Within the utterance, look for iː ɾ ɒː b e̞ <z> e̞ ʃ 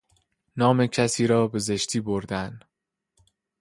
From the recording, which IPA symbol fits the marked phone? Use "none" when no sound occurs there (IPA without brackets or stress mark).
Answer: z